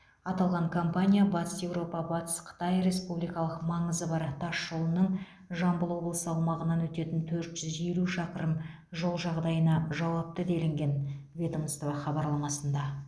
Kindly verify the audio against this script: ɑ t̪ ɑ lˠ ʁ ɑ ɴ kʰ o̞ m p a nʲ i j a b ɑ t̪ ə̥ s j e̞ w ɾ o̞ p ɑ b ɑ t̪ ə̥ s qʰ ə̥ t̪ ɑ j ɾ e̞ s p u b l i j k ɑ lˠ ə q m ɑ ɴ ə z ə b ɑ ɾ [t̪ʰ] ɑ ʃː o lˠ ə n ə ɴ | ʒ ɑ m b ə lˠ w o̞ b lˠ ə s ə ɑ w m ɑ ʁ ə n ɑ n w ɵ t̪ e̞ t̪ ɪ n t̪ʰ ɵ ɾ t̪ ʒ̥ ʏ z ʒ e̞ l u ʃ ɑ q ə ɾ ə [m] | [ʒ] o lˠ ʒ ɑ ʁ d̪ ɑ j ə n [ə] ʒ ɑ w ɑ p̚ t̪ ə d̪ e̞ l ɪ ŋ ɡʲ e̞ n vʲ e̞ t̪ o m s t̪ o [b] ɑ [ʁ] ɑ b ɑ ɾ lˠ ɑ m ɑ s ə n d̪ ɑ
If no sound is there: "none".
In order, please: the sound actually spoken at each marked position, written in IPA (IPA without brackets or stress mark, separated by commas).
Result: t̪ʰ, m, ʒ, ɑ, v, χ